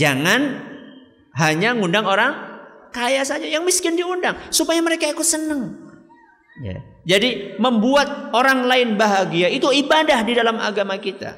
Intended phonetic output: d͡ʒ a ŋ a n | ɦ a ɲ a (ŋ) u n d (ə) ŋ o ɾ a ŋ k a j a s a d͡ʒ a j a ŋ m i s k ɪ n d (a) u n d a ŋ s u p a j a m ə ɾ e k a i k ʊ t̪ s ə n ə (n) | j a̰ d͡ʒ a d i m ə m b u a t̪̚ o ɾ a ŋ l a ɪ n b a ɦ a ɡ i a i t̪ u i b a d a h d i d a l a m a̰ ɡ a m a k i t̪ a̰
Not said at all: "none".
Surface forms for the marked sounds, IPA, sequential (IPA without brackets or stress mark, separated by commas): ŋ, a, i, ŋ